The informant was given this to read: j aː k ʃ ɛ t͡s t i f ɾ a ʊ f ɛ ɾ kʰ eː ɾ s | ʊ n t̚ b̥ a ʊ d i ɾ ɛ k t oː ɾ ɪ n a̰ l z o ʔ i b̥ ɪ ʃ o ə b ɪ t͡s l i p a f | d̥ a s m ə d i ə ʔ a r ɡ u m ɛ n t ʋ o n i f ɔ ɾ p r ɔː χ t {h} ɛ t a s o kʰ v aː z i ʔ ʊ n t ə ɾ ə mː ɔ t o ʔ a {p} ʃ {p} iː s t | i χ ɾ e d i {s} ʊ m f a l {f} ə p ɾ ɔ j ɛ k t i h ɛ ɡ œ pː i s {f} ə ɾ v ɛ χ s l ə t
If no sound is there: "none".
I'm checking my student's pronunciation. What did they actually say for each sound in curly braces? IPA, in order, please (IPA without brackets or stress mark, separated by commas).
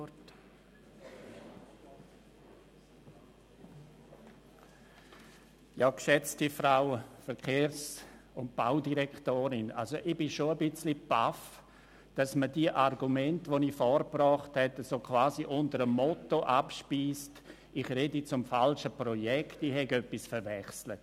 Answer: h, p, p, t͡s, ʃ, f